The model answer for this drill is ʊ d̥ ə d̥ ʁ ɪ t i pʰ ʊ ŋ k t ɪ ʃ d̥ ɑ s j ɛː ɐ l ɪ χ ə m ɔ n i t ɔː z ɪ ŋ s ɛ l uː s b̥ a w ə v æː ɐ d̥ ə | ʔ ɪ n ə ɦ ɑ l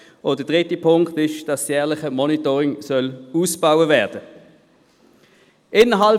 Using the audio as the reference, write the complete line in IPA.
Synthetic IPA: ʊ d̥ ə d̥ ʁ ɪ t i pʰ ʊ ŋ k t ɪ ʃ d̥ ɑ s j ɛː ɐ l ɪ χ ə m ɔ n i t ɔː ʁ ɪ ŋ s œ l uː s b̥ a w ə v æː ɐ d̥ ə | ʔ ɪ n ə ɦ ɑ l